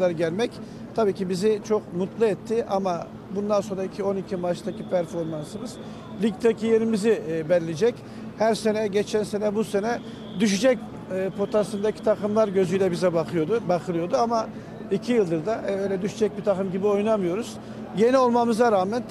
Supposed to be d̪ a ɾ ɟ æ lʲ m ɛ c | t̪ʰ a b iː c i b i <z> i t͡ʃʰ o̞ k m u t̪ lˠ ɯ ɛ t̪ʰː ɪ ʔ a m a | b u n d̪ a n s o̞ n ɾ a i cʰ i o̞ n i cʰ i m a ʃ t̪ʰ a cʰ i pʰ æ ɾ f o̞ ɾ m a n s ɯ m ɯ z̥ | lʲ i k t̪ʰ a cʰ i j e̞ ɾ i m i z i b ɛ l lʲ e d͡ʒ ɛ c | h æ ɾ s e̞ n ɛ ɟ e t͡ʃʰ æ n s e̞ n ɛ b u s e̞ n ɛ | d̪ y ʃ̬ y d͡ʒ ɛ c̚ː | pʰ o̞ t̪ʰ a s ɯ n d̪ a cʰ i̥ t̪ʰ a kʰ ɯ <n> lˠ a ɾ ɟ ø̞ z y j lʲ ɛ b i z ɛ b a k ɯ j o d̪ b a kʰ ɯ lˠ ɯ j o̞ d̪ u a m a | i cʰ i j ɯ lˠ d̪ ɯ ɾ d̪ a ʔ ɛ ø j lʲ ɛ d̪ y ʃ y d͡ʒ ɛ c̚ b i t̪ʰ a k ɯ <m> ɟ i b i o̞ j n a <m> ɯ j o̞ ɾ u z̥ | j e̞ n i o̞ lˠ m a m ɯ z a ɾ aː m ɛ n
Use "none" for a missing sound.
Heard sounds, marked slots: z, m, m, m

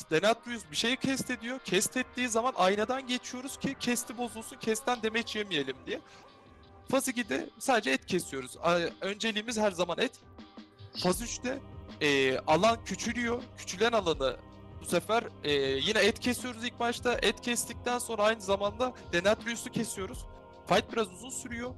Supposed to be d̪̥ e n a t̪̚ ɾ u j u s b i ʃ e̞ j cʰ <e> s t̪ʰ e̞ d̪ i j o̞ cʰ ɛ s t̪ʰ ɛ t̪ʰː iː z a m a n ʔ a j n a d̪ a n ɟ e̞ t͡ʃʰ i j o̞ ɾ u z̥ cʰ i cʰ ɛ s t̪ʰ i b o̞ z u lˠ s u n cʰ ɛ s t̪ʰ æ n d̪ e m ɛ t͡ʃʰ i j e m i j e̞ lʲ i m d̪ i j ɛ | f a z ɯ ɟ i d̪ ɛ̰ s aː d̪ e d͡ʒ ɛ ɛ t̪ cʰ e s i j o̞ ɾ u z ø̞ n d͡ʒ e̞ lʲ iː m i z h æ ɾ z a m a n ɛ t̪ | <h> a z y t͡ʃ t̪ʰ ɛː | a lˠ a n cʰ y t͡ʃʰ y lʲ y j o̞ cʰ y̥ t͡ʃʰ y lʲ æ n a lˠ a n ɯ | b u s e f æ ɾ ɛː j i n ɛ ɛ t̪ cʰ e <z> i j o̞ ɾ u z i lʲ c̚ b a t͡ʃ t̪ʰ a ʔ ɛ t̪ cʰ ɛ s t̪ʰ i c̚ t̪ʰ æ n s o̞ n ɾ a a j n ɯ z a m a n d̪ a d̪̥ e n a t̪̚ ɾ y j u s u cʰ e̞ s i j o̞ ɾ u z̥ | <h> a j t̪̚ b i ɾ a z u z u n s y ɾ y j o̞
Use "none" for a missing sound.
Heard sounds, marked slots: ɛ, f, s, f

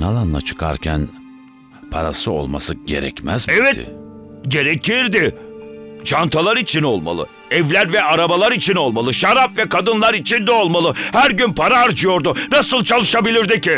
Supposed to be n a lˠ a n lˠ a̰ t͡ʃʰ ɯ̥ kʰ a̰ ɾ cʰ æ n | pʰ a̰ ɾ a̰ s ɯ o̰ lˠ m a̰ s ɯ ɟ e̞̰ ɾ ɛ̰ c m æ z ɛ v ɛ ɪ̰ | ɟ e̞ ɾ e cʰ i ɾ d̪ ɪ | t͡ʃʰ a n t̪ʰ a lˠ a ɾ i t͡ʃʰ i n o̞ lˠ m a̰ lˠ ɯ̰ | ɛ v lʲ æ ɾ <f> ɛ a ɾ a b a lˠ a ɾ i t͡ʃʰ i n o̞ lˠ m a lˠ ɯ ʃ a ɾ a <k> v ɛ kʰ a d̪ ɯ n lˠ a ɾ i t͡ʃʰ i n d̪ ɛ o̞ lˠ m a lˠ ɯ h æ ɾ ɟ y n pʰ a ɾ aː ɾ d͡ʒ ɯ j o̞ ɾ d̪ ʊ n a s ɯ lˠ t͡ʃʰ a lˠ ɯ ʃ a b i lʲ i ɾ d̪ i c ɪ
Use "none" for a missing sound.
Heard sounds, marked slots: v, p

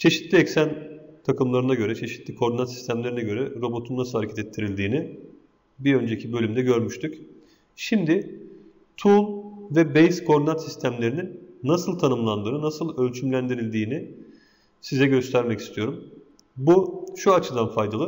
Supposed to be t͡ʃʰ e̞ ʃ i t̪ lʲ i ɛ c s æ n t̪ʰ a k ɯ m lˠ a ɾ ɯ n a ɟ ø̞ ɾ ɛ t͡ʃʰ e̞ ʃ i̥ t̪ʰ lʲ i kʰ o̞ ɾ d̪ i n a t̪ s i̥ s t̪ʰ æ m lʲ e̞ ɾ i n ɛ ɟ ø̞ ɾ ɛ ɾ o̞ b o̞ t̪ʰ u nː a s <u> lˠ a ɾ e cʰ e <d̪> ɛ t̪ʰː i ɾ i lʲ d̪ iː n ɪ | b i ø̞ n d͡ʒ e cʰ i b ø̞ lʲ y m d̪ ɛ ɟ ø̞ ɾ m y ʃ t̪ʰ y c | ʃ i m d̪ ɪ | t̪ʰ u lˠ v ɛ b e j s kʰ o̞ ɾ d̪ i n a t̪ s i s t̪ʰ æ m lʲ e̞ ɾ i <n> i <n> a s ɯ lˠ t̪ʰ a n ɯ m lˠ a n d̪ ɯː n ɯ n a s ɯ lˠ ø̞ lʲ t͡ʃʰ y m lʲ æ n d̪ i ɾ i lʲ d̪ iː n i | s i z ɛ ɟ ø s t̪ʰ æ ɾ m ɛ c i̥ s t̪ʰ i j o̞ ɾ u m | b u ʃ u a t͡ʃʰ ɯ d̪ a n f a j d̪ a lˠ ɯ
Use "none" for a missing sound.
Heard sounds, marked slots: ɯ, t̪, n, nː

